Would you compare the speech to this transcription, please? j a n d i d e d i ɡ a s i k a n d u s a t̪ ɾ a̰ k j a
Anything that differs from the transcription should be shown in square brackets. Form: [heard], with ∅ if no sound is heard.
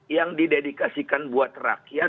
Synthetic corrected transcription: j a [ŋ] d i d e d i [k] a s i k a n [b] u [∅] a t̪ [r] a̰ k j a